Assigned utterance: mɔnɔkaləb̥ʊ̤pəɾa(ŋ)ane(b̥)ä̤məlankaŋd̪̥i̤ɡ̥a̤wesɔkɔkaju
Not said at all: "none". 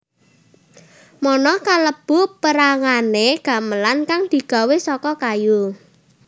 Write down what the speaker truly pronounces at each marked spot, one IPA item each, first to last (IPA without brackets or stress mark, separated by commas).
ŋ, ɡ̥